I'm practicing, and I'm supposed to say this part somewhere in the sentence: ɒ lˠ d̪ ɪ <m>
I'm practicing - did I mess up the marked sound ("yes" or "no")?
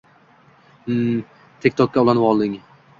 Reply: yes